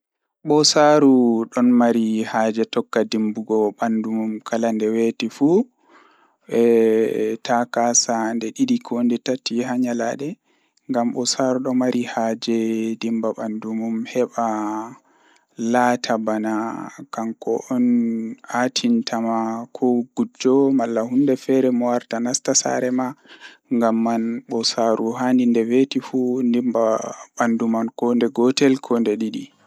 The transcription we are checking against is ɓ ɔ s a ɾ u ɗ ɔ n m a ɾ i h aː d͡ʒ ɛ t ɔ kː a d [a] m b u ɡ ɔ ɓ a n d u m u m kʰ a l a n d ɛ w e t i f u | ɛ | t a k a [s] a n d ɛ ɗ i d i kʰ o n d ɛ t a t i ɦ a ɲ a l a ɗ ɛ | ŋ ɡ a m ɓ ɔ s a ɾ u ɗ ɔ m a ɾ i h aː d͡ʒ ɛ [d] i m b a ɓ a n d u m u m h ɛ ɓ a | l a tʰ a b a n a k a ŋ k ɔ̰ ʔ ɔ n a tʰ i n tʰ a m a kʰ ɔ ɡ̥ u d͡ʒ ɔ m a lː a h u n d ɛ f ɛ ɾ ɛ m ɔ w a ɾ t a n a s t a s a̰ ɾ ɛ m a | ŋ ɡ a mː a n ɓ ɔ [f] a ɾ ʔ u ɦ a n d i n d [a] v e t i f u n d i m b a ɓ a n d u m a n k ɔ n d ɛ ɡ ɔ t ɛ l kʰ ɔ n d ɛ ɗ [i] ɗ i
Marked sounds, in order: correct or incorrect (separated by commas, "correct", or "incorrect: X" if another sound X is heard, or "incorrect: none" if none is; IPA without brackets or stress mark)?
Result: incorrect: i, correct, correct, incorrect: s, incorrect: ɛ, correct